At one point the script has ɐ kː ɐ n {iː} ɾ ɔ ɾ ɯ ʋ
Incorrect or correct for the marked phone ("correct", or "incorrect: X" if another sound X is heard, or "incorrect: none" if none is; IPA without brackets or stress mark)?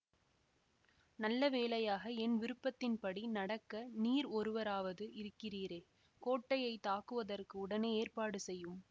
correct